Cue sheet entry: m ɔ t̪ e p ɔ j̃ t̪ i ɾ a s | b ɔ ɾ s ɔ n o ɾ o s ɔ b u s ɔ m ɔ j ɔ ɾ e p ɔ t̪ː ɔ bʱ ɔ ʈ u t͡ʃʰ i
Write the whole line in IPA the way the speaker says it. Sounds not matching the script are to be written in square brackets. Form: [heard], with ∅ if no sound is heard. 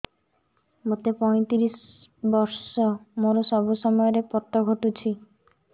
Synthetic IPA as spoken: m [o] t̪ e p ɔ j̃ t̪ i ɾ [i] s | b ɔ ɾ s ɔ [m] o ɾ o s ɔ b u s ɔ m ɔ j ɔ ɾ e p ɔ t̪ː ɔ [ɡʱ] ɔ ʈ u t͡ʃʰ i